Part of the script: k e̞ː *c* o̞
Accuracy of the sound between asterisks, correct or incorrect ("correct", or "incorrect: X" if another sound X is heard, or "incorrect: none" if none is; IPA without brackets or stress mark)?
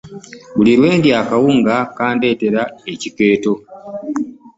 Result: incorrect: t